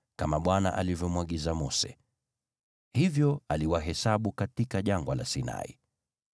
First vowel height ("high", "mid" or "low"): low